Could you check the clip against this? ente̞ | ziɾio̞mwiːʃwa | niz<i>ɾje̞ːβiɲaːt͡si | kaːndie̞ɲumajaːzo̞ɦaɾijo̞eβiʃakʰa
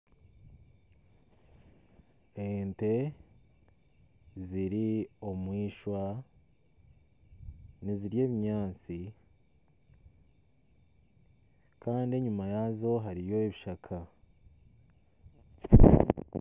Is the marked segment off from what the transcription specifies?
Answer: no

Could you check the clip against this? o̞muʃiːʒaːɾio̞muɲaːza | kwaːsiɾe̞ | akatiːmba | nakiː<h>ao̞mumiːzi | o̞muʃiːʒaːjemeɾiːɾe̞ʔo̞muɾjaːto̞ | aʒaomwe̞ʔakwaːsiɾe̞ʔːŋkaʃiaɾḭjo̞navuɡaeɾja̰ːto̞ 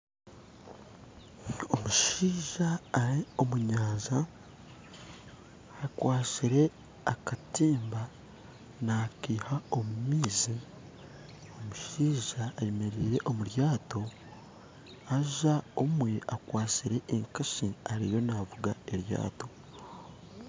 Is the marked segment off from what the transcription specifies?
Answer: no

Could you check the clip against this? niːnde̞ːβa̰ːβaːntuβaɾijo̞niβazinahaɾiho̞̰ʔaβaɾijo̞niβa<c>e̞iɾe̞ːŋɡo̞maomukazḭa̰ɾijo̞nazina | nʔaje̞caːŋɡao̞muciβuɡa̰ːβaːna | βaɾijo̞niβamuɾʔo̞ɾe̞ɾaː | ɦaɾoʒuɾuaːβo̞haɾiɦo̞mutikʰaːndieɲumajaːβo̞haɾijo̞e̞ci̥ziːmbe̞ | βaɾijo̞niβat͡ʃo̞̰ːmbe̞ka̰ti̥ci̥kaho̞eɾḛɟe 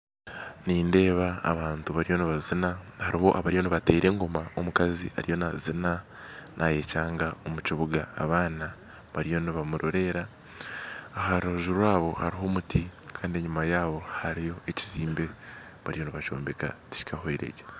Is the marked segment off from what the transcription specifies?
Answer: yes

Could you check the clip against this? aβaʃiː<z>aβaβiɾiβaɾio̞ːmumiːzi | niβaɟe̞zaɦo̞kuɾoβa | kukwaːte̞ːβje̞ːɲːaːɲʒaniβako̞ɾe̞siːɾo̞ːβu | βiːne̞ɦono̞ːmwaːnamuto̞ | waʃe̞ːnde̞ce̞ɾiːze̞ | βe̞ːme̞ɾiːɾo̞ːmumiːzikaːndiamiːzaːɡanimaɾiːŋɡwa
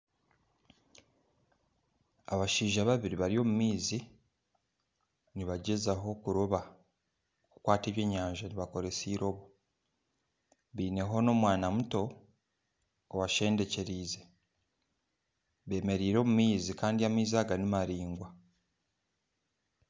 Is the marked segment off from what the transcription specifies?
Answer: yes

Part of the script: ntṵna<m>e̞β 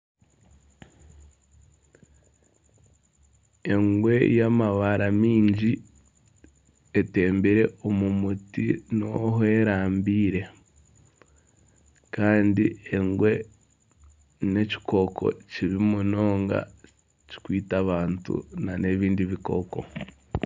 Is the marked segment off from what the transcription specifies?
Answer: yes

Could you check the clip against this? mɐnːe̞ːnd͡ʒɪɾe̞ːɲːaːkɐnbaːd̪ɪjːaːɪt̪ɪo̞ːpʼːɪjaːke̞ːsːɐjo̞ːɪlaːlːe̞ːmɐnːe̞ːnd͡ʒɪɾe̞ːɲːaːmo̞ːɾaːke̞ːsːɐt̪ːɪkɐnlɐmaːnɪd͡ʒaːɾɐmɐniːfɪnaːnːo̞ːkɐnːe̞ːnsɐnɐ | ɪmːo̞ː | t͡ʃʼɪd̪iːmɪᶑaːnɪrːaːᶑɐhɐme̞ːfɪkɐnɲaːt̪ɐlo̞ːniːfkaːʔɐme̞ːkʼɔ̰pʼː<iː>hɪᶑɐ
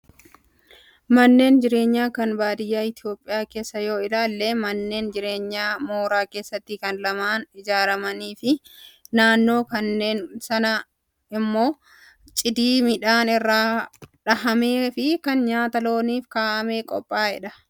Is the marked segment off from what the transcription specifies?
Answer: yes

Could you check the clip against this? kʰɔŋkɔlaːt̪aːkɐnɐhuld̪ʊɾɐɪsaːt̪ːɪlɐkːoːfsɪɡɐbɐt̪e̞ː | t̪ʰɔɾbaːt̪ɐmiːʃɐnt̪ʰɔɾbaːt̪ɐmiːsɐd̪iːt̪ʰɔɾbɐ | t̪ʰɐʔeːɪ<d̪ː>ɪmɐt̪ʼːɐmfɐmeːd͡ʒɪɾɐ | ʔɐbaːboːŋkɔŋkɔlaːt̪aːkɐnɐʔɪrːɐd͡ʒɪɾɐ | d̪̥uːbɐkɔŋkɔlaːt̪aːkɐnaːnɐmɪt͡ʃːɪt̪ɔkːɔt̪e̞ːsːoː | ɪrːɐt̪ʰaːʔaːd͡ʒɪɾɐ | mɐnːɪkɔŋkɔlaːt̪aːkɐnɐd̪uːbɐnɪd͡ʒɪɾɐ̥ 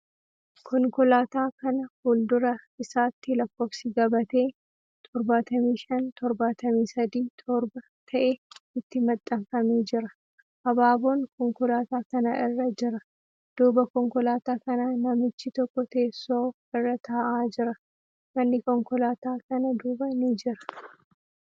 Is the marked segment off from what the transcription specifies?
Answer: yes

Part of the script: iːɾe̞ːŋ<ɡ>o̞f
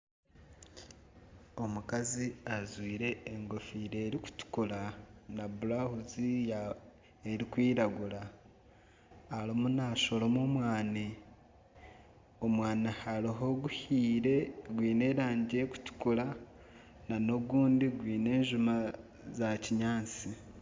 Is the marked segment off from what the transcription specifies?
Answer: no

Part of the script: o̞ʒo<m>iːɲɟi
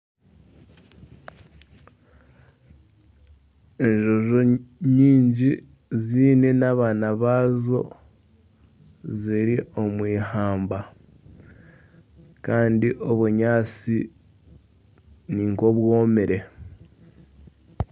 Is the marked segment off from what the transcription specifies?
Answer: yes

